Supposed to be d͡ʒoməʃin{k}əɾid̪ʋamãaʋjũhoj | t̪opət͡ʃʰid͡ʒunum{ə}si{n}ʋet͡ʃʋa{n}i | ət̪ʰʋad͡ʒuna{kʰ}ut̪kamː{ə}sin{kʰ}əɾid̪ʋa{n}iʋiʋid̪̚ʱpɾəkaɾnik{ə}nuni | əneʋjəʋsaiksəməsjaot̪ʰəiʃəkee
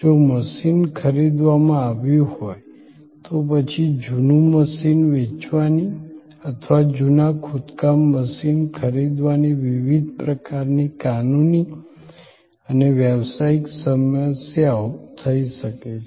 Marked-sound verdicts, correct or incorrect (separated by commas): incorrect, correct, correct, correct, correct, correct, correct, correct, incorrect